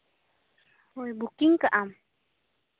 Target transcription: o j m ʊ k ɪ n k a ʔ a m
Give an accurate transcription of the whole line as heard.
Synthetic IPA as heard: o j b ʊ k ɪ ŋ k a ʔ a m

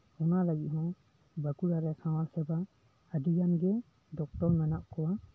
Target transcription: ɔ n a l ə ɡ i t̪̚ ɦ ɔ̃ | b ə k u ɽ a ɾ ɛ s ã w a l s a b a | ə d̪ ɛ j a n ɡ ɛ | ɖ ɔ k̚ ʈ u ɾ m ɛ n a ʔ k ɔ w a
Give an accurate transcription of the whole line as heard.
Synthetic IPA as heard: ɔ n a l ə ɡ i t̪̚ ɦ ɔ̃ | b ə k u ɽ a ɾ ɛ s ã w a l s ɛ b a | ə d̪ i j a n ɡ ɛ | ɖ ɔ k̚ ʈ ɔ ɾ m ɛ n a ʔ k ɔ w a

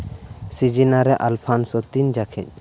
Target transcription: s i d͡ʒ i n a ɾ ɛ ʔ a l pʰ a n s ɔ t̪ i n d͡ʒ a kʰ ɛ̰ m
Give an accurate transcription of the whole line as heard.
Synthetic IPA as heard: s i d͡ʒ i n a ɾ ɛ ʔ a l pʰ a n s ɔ t̪ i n d͡ʒ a kʰ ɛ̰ ɲ

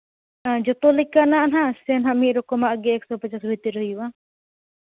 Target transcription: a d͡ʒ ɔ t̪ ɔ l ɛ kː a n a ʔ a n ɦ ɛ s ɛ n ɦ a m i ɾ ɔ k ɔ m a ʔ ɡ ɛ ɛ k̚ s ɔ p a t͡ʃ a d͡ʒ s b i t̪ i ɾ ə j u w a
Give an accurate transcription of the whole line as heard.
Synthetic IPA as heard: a d͡ʒ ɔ t̪ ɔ l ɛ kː a n a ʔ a n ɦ a s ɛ n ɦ a m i ɾ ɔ k ɔ m a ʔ ɡ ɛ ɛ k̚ s ɔ p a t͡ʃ a s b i t̪ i ɾ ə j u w a

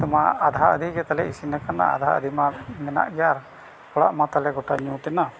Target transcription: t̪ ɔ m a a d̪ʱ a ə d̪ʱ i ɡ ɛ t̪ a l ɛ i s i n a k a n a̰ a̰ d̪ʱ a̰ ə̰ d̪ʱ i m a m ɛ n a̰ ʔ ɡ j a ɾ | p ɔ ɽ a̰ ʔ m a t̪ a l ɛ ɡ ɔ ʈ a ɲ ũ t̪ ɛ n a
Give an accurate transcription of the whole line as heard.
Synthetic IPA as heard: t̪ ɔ m a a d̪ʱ a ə d̪ʱ i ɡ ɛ t̪ a l ɛ i s i n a k a n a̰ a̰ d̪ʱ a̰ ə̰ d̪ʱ i m a m ɛ n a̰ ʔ ɡ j a ɾ | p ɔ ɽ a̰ ʔ m a t̪ a l ɛ ɡ ɔ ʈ a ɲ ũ t̪ ɛ n a

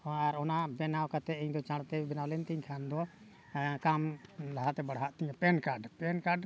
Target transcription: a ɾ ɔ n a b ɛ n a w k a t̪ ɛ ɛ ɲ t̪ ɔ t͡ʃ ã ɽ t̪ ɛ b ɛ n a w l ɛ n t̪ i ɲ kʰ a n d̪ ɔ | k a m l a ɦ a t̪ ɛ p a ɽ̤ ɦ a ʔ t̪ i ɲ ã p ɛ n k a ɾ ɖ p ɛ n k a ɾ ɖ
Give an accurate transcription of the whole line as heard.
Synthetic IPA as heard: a ɾ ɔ n a b ɛ n a w k a t̪ ɛ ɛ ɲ d̪ ɔ t͡ʃ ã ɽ t̪ ɛ b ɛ n a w l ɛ n t̪ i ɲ kʰ a n d̪ ɔ | k a m l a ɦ a t̪ ɛ b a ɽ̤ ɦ a ʔ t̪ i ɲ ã p ɛ n k a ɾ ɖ p ɛ n k a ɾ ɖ

